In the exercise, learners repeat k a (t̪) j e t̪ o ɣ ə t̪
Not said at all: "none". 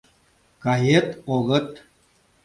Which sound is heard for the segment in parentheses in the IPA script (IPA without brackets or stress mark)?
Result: none